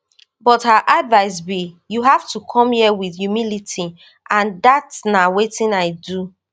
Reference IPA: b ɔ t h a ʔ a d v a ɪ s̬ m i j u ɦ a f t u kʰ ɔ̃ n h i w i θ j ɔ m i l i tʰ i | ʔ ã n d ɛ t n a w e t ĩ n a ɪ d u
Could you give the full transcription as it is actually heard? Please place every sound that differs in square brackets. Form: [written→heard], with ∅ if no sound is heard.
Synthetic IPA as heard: b ɔ t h a ʔ a d v a ɪ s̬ [m→b] i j u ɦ a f t u kʰ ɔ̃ [n→m] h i w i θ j [ɔ→u] m i l i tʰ i | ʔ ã n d [ɛ→a] t n a w e t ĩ n a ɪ d u